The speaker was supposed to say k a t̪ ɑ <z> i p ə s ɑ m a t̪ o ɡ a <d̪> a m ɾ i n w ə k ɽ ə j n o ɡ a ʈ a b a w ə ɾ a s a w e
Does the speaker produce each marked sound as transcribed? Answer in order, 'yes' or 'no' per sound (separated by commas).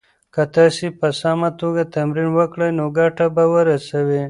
no, no